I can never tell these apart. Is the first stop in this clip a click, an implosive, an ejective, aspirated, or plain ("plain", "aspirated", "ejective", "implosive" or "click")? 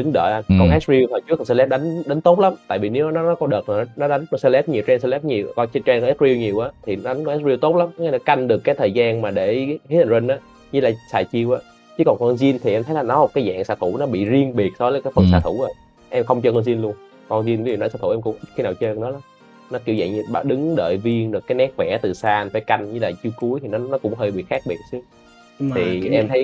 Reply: implosive